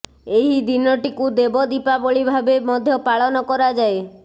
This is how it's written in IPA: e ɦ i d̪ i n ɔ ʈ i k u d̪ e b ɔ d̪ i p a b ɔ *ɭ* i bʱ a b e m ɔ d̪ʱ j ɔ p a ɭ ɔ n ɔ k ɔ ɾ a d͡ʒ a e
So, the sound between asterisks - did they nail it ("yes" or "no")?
yes